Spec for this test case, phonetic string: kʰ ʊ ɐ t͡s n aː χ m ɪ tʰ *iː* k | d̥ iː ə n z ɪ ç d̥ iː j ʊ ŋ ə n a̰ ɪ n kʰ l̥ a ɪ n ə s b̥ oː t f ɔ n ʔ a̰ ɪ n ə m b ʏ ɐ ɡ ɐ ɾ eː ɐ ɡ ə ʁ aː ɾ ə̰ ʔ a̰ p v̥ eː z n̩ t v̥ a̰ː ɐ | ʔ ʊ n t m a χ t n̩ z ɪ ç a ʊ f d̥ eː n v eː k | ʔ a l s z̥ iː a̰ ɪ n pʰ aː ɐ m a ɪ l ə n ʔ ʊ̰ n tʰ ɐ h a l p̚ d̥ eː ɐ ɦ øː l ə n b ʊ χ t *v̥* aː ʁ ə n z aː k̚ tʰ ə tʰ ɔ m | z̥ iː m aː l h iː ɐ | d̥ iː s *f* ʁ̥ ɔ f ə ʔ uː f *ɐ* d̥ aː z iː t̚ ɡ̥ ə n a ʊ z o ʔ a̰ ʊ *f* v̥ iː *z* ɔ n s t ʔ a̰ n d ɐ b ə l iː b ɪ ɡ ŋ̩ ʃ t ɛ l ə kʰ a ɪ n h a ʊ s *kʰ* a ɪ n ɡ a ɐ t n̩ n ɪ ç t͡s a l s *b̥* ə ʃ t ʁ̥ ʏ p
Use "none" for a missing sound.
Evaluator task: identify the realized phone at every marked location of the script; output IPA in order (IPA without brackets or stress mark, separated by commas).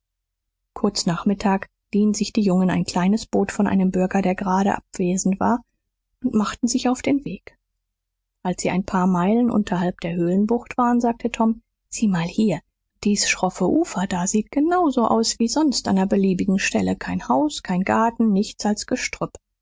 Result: aː, v̥, ʃ, ɐ, s, z, kʰ, ɡ̥